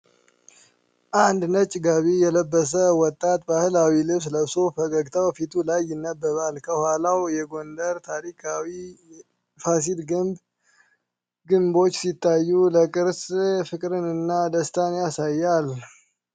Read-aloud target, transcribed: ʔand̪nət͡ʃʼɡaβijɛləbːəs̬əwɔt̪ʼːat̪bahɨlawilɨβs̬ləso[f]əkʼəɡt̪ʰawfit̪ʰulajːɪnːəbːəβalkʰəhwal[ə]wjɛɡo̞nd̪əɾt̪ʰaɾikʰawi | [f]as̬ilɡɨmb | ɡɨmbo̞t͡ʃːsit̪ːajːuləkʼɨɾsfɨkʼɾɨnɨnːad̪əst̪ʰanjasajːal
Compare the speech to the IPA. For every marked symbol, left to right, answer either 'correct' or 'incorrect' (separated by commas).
correct, incorrect, correct